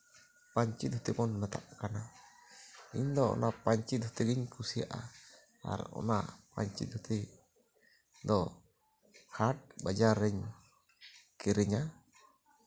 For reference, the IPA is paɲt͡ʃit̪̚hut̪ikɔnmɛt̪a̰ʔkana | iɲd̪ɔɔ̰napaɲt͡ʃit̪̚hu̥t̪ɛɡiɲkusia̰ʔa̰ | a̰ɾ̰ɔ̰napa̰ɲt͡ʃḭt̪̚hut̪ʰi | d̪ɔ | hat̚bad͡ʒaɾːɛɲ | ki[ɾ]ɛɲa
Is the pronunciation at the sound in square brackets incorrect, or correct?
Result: correct